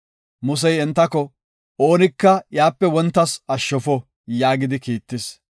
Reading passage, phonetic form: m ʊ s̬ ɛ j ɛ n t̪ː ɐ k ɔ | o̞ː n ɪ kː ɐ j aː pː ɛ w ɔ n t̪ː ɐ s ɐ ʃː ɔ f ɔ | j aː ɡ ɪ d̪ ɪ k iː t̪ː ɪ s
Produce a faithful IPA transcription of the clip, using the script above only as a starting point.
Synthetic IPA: m ʊ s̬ ɛ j ɛ n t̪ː ɐ k ɔ | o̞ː n ɪ kː ɐ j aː pː ɛ w ɔ n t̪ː ɐ s ɐ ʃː ɔ f ɔ | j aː ɡ ɪ d̪ ɪ k iː t̪ː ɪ s